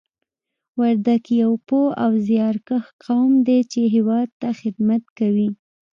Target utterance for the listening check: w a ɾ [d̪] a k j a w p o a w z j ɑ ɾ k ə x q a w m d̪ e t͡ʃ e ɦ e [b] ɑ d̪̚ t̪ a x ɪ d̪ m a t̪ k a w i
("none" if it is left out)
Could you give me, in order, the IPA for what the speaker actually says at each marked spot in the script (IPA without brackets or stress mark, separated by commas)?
d̪, w